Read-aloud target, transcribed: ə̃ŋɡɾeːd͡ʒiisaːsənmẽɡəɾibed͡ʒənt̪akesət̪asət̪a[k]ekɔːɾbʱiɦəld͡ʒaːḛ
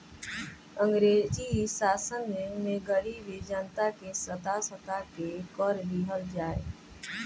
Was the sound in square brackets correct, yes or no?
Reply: yes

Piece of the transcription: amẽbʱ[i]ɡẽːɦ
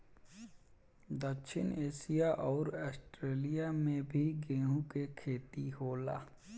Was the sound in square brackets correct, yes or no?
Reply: yes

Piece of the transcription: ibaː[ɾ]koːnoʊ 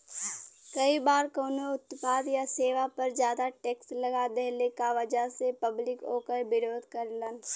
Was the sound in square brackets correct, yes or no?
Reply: yes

